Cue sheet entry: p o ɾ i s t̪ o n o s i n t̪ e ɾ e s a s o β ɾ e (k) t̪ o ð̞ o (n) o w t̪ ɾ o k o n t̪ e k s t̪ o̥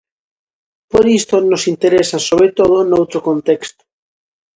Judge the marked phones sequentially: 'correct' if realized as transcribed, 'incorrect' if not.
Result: incorrect: none, correct

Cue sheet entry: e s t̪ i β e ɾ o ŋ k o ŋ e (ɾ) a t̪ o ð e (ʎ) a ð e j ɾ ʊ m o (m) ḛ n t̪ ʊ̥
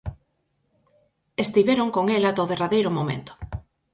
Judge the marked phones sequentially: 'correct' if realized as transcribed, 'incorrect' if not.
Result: incorrect: l, incorrect: r, correct

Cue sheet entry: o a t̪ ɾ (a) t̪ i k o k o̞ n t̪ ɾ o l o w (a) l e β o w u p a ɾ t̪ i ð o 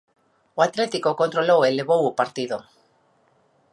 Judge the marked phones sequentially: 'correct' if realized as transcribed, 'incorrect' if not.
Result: incorrect: e, incorrect: e

